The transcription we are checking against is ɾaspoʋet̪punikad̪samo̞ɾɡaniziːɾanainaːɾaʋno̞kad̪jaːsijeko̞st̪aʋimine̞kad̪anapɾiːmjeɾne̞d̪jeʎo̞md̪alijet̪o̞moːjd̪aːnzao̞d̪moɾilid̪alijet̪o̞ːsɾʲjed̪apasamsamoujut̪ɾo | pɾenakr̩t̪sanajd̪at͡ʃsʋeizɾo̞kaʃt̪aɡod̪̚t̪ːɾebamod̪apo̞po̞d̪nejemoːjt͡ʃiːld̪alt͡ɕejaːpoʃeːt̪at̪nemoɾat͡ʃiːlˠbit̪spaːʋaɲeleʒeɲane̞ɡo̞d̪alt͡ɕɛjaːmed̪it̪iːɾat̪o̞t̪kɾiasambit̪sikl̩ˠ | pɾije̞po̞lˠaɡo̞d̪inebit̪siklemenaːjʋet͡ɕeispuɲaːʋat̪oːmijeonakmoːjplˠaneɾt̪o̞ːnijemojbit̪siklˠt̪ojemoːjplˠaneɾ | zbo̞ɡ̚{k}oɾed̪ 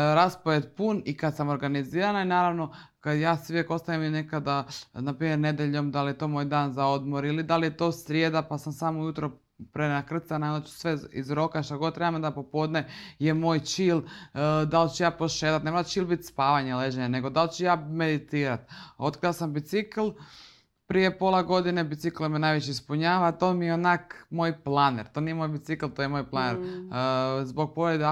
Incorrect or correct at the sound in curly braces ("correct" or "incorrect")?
incorrect